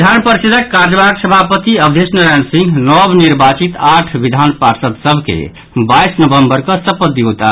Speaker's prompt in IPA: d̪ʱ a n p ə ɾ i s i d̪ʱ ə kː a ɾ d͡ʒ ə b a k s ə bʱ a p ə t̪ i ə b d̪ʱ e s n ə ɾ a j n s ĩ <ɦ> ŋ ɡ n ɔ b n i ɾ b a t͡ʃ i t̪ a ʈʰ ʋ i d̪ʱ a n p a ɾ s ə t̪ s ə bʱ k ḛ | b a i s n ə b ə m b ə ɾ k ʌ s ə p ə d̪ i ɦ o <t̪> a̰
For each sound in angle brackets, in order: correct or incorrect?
incorrect: none, correct

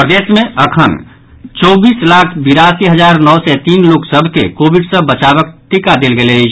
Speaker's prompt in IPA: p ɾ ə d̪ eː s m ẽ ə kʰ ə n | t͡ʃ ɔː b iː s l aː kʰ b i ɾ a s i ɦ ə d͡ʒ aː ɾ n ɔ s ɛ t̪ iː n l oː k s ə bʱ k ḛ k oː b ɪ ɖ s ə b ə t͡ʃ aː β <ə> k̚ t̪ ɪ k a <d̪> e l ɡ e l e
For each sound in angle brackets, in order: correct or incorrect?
correct, correct

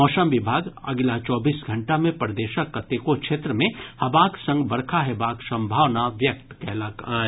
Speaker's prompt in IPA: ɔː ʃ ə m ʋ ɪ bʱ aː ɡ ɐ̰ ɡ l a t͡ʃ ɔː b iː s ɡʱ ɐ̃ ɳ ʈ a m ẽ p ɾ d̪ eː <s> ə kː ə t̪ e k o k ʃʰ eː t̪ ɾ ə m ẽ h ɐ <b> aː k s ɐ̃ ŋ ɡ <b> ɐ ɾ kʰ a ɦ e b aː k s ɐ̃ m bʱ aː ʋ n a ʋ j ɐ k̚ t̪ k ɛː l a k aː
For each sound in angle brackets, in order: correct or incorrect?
incorrect: ʃ, correct, correct

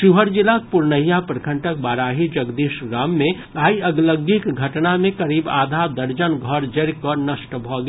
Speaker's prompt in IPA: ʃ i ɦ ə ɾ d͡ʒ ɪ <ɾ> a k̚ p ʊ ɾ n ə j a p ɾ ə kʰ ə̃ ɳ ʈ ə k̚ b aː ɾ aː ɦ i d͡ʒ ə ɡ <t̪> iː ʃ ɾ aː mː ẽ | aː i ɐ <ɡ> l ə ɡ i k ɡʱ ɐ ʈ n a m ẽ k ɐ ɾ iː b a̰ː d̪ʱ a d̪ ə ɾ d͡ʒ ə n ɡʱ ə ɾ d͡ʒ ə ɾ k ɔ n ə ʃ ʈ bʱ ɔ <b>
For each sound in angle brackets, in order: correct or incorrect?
incorrect: l, incorrect: d̪, correct, incorrect: ɡ

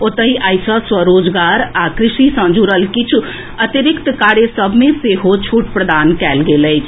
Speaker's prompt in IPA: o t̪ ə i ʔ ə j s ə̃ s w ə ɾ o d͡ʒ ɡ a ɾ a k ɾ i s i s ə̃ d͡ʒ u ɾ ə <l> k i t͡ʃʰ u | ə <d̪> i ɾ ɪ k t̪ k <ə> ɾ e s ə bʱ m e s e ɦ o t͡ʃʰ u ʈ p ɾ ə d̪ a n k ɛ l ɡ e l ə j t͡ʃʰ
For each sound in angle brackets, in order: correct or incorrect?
correct, incorrect: t̪, incorrect: a

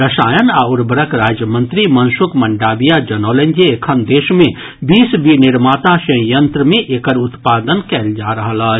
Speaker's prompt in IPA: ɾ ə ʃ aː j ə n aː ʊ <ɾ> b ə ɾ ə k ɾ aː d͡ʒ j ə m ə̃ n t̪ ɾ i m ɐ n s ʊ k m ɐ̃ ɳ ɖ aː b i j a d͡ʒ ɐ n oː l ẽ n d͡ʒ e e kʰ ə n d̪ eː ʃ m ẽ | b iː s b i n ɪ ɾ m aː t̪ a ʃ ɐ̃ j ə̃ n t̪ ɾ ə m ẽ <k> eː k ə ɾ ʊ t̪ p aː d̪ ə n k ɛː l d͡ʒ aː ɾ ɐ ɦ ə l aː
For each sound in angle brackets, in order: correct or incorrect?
correct, incorrect: ʔ

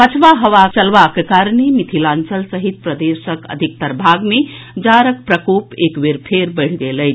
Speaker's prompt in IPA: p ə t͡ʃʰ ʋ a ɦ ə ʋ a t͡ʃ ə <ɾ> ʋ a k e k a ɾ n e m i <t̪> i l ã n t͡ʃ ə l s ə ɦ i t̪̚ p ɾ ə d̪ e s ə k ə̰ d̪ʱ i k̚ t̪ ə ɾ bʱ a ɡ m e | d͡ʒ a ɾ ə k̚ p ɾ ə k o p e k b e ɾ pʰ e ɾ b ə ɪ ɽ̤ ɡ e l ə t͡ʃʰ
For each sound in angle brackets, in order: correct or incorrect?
incorrect: l, incorrect: t̪ʰ

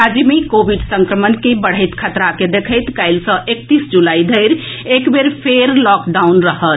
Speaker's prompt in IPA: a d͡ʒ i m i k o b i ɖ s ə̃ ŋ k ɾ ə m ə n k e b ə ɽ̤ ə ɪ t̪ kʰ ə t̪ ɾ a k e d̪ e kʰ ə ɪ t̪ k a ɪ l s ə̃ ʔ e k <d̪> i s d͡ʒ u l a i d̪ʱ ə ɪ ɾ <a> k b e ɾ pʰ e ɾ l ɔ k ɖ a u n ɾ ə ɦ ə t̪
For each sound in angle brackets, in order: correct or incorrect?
incorrect: t̪, incorrect: e

